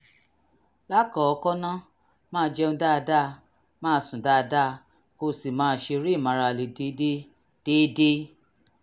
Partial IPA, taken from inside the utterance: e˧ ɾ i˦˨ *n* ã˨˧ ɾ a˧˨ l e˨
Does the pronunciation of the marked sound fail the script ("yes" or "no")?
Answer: yes